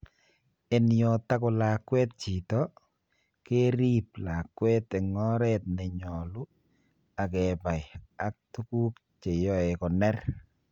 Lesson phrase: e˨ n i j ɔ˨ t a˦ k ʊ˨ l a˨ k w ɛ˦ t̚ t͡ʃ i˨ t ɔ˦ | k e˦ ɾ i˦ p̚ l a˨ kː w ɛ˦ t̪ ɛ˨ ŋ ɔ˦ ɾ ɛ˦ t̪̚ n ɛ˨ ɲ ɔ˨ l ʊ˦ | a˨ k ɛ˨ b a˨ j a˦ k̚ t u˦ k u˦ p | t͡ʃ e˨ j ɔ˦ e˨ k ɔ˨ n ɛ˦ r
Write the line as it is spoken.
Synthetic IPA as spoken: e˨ n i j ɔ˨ t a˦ k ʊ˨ l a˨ k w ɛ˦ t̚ t͡ʃ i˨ t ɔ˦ | k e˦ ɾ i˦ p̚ l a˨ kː w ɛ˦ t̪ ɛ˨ ŋ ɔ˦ ɾ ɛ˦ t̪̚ n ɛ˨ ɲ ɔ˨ l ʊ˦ | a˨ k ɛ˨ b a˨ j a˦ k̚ t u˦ k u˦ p | t͡ʃ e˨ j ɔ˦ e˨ k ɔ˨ n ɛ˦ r